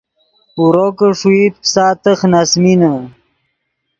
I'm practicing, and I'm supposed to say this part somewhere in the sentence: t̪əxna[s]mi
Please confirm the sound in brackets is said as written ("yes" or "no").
yes